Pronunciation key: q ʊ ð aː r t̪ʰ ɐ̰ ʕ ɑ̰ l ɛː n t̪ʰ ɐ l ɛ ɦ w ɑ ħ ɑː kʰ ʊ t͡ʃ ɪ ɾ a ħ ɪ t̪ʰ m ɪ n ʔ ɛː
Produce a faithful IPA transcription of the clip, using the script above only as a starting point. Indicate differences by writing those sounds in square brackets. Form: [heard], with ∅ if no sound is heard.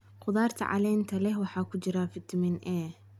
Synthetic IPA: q ʊ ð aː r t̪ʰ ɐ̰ ʕ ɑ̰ l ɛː n t̪ʰ ɐ l ɛ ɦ w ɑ ħ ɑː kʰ ʊ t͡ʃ ɪ ɾ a [f] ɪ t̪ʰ m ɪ n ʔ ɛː